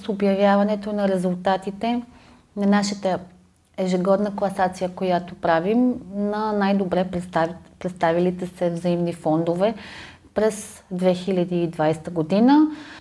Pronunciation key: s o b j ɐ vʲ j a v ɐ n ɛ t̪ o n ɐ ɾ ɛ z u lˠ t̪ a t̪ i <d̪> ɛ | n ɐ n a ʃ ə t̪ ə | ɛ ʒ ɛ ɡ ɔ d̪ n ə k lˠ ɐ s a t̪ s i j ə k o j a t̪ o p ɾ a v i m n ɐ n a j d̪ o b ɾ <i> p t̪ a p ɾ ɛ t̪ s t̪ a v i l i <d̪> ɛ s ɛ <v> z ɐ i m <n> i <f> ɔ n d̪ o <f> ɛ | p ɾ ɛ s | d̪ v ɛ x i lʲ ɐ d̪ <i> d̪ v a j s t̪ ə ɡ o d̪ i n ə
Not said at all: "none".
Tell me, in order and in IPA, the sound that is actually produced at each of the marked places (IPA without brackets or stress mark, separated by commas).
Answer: t̪, ɛ, t̪, v, n, f, v, iː